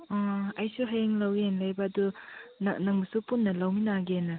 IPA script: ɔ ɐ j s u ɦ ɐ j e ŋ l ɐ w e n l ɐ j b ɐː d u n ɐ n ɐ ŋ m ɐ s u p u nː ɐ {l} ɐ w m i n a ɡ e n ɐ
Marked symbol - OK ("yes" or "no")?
yes